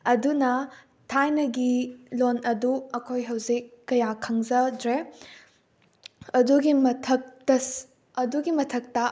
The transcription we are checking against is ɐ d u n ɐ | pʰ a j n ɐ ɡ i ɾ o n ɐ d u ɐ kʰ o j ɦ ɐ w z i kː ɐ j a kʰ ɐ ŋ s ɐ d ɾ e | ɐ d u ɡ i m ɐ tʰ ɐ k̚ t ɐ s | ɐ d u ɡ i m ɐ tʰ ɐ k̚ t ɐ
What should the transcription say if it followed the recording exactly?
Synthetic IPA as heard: ɐ d u n ɐ | tʰ a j n ɐ ɡ i l o n ɐ d u ɐ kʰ o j ɦ ɐ w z i kː ɐ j a kʰ ɐ ŋ z ɐ d ɾ e | ɐ d u ɡ i m ɐ tʰ ɐ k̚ t ɐ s | ɐ d u ɡ i m ɐ tʰ ɐ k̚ t ɐ